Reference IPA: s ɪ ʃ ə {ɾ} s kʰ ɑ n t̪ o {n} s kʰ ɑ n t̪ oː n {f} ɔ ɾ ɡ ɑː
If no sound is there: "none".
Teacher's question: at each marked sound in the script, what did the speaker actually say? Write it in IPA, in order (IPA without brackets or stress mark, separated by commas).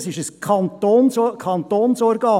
none, n, s